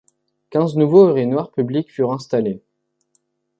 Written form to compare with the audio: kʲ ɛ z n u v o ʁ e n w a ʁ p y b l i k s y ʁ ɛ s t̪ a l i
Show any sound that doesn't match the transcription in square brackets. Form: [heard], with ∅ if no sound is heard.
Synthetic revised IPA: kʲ [ɛ̃] z n u v o ʁ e n w a ʁ p y b l i k [f] y ʁ [ɛ̃] s t̪ a l [e]